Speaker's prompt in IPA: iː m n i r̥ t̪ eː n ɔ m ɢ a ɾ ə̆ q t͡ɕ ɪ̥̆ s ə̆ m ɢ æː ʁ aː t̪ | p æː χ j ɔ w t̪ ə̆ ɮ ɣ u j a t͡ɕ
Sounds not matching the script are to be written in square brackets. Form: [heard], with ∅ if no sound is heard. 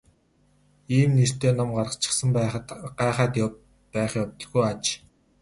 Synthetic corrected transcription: iː m n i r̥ t̪ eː n ɔ m ɢ a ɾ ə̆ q t͡ɕ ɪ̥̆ s ə̆ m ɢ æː [χ] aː t̪ | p æː χ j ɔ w t̪ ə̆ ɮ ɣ u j a t͡ɕ